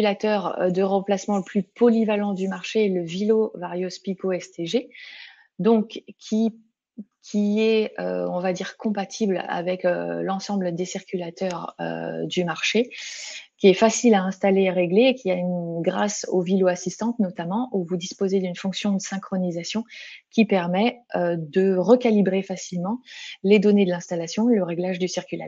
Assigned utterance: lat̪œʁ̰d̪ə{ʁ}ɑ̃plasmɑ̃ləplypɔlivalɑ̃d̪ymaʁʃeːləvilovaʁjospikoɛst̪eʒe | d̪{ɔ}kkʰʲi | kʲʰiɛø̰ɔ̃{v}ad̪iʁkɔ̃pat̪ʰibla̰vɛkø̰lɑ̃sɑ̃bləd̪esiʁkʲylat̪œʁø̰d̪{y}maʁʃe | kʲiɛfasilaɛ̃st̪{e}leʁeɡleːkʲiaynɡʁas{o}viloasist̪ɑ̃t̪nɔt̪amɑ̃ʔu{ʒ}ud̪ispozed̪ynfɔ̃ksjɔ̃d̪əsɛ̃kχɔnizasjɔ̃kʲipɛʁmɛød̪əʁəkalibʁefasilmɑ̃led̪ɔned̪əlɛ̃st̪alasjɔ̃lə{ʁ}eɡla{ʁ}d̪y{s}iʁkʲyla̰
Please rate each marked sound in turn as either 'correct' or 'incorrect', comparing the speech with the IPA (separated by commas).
correct, incorrect, correct, correct, incorrect, correct, incorrect, correct, incorrect, correct